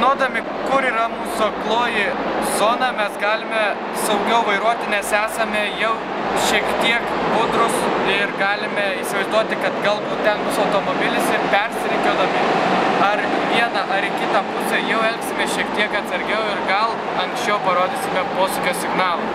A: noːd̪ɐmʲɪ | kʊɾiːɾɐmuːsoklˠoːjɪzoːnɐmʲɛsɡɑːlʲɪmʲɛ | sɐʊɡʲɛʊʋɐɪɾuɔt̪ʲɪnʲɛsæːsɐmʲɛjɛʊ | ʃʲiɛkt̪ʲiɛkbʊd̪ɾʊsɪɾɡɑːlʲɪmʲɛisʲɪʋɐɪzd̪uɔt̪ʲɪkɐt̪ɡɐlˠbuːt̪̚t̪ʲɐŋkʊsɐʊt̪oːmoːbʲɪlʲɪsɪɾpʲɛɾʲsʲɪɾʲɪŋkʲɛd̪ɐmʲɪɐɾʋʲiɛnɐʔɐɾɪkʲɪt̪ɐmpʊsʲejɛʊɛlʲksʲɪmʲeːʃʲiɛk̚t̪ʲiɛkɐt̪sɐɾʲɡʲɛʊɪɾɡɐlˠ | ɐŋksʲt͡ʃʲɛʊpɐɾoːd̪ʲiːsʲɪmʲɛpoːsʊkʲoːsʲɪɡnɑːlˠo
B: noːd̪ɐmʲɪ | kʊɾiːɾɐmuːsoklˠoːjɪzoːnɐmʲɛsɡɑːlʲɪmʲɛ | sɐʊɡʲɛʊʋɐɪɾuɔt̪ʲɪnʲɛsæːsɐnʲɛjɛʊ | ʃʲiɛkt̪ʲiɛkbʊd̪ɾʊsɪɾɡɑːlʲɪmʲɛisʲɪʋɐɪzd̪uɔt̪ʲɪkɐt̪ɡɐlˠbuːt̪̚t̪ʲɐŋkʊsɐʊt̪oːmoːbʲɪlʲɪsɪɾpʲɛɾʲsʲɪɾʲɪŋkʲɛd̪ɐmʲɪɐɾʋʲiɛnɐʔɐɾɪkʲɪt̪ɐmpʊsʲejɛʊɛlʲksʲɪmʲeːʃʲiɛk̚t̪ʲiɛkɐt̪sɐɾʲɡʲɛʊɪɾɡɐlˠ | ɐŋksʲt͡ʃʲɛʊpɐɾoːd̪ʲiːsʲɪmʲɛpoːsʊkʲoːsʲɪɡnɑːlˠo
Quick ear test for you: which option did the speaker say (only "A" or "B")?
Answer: A